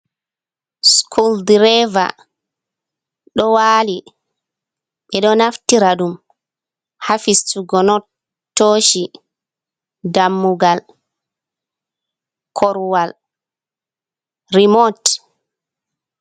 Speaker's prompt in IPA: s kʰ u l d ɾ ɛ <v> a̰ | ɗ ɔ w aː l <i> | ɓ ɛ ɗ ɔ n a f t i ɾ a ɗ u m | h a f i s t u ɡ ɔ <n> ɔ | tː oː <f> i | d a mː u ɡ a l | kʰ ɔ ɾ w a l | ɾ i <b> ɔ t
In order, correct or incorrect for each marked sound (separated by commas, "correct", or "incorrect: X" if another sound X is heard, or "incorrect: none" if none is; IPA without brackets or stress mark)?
correct, correct, correct, incorrect: ʃ, incorrect: m